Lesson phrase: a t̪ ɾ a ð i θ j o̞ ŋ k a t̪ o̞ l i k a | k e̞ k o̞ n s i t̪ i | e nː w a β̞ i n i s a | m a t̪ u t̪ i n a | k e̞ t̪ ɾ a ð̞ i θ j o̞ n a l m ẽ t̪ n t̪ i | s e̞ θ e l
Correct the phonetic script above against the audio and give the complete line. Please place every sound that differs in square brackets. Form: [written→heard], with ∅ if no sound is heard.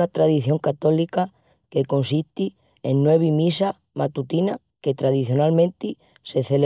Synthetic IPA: a t̪ ɾ a ð i θ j o̞ ŋ k a t̪ o̞ l i k a | k e̞ k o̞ n s i t̪ i | e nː w [a→e] β̞ i [n→m] i s a | m a t̪ u t̪ i n a | k e̞ t̪ ɾ a ð̞ i θ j o̞ n a l m ẽ [t̪→∅] n t̪ i | s e̞ θ e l